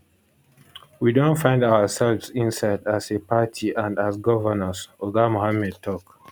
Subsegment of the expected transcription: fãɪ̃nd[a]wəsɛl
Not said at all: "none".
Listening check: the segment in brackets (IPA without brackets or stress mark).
a